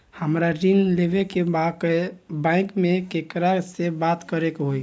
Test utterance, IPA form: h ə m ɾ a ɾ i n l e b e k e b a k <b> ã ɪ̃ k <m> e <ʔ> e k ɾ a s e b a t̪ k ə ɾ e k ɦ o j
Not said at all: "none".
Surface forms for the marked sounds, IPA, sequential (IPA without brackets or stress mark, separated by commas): b, m, k